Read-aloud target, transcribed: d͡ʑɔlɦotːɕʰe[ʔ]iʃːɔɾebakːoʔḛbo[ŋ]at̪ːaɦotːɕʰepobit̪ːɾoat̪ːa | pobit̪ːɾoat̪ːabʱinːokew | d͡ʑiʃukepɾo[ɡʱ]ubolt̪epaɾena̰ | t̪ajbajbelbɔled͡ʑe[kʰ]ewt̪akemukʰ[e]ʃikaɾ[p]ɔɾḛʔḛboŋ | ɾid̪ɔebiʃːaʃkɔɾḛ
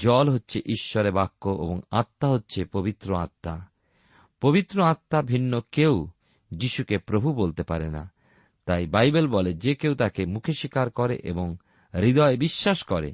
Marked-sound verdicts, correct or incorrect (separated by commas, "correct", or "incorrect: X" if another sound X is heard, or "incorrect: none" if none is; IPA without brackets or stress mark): correct, correct, incorrect: bʱ, incorrect: k, correct, incorrect: k